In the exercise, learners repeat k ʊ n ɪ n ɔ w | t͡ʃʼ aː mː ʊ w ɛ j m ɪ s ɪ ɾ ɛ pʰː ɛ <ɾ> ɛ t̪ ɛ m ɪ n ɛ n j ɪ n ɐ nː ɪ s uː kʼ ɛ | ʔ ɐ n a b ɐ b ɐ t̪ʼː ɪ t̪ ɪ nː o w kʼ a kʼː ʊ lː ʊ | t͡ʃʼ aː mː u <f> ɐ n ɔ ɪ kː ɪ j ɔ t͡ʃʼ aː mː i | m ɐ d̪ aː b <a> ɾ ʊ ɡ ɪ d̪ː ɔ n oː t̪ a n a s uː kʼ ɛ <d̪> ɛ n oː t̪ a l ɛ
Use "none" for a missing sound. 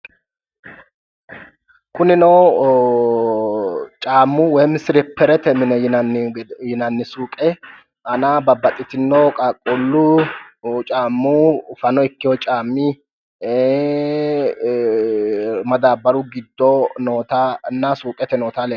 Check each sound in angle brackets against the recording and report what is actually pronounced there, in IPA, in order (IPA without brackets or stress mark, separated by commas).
ɾ, f, ɐ, t̪